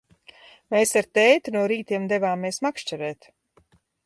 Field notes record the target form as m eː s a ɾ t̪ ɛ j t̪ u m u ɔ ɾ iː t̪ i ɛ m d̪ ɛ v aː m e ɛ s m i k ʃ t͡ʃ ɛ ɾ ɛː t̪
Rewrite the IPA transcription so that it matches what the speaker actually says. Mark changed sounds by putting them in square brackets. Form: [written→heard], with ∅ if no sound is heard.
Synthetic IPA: m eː s a ɾ t̪ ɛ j t̪ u [m→n] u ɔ ɾ iː t̪ i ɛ m d̪ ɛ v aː m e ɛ s m [i→a] k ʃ t͡ʃ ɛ ɾ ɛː t̪